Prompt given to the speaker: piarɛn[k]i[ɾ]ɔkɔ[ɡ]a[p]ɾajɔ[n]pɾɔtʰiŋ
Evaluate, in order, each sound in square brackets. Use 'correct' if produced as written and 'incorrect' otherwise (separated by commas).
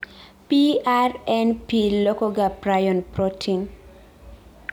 incorrect, incorrect, correct, correct, correct